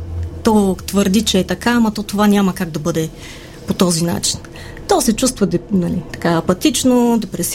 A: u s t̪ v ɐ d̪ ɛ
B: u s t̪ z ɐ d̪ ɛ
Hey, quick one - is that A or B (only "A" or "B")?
A